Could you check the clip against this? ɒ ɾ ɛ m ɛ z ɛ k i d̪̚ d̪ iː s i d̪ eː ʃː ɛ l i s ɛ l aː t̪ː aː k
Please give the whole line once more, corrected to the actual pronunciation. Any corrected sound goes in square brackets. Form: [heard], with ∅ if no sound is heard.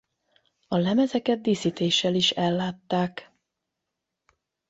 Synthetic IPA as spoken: ɒ [l] ɛ m ɛ z ɛ k [ɛ] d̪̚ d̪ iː s i [t̪] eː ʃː ɛ l i [ʃ] ɛ [lː] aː t̪ː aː k